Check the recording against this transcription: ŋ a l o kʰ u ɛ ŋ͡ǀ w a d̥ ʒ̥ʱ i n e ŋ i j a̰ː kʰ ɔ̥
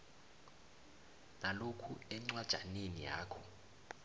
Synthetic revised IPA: n a l o kʰ u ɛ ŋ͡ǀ w a d̥ ʒ̥ʱ a n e n i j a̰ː kʰ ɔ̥